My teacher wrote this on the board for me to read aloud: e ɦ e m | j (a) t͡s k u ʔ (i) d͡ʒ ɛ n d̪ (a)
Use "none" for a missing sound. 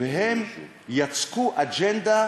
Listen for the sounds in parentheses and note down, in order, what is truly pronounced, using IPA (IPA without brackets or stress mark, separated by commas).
a, a, a